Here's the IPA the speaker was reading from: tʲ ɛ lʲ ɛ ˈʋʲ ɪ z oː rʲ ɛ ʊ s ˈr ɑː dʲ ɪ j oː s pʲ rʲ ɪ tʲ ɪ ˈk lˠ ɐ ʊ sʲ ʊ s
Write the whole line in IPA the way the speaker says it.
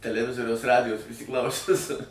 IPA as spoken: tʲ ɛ lʲ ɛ ˈʋʲ ɪ z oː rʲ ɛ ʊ s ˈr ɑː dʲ ɪ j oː s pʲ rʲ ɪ sʲ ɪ ˈk lˠ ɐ ʊ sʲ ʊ s